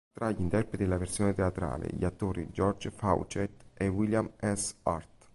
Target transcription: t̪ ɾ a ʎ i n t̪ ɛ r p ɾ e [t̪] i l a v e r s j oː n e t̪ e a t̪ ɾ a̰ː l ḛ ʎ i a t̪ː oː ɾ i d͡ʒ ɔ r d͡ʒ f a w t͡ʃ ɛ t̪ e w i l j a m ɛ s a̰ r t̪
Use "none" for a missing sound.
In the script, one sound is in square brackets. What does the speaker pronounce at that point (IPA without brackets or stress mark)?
t̪